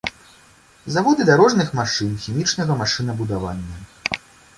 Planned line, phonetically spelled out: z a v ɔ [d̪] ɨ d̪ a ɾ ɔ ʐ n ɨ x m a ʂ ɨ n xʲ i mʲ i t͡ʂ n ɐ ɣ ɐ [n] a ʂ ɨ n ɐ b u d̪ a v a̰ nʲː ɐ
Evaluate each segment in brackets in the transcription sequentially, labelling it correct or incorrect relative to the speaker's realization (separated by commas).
correct, incorrect